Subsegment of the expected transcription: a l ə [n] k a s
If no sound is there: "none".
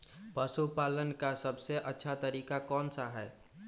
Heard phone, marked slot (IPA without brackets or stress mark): n